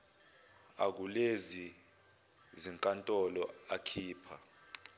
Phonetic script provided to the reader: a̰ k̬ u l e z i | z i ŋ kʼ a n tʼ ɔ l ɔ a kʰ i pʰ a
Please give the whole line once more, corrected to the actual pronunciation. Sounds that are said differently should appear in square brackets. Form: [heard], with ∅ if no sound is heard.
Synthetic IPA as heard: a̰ k̬ u l e z i | z i ŋ kʼ a n tʼ ɔ l ɔ a kʰ [iː] pʰ a